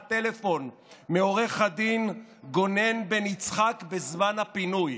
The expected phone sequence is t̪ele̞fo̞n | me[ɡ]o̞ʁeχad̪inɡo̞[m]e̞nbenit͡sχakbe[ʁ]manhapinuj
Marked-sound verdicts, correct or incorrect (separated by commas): incorrect, incorrect, incorrect